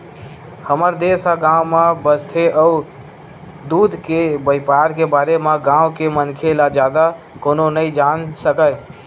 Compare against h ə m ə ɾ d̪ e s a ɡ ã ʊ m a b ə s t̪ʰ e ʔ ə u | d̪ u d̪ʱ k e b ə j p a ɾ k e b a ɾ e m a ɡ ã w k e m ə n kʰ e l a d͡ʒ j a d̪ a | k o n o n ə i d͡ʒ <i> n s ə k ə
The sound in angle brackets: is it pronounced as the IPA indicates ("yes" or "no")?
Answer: no